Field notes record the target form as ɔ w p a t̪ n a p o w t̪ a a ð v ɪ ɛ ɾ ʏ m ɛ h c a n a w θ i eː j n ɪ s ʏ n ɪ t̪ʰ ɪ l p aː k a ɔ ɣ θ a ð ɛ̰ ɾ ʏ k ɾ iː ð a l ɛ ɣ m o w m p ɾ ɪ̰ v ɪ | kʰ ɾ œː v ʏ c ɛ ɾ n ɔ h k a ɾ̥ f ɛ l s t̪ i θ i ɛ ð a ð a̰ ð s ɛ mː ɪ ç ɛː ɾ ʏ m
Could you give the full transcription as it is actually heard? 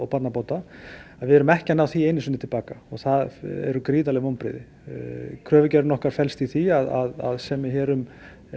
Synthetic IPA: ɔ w p a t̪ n a p o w t̪ a a ð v ɪ ɛ ɾ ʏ m ɛ h c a n a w θ i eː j n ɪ s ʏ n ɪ t̪ʰ ɪ l p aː k a ɔ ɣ θ a ð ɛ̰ ɾ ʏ k ɾ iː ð a l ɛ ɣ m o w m p ɾ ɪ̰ ð ɪ | kʰ ɾ œː v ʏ c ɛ ɾ n ɔ h k a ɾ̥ f ɛ l s t̪ i θ i a ð a ð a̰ ð s ɛ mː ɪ ç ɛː ɾ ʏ m